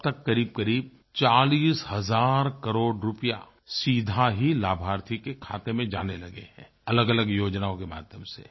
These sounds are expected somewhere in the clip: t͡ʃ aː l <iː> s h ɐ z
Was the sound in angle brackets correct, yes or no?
yes